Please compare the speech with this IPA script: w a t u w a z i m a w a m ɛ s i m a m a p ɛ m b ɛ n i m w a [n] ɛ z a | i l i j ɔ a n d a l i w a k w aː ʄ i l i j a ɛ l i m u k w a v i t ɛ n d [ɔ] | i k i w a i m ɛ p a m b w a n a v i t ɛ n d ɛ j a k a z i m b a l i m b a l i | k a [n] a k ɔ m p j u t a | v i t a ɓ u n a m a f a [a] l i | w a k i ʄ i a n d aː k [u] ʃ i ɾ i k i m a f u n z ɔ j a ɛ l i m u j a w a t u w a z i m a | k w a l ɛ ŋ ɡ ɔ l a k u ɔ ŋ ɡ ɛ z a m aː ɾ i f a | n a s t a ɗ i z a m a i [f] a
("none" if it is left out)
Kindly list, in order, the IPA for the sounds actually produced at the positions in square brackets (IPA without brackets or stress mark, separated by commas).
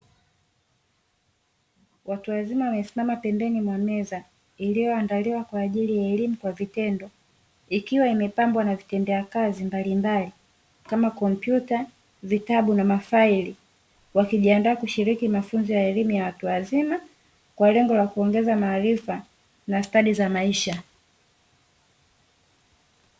m, ɔ, m, i, u, ʃ